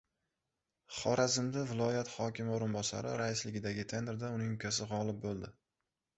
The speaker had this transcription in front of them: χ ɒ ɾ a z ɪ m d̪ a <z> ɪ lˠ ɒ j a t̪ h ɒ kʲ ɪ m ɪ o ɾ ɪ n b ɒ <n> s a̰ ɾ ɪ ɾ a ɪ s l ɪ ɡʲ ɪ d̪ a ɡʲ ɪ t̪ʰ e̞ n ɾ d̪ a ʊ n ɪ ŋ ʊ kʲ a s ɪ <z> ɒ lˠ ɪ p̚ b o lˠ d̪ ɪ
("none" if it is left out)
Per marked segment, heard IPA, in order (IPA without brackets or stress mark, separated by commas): v, none, ʁ